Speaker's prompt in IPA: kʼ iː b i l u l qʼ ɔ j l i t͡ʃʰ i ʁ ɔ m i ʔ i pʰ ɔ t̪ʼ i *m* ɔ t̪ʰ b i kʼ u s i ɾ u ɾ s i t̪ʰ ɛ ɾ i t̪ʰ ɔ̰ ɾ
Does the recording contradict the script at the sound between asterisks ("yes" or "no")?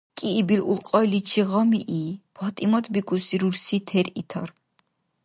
no